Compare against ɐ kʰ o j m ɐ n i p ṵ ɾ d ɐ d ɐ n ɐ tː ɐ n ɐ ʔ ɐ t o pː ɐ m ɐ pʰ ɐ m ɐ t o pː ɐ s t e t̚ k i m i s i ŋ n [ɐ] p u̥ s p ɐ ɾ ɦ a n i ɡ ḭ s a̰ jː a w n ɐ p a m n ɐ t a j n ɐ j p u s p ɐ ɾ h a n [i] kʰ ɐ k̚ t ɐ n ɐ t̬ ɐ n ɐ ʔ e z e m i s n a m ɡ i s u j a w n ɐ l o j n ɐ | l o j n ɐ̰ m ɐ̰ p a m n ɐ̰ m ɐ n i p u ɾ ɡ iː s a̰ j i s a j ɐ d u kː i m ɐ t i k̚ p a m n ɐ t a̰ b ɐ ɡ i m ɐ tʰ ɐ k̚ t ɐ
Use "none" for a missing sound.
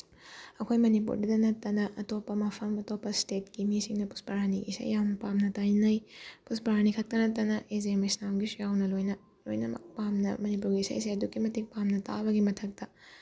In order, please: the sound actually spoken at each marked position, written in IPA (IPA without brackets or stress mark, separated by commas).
ɐ, i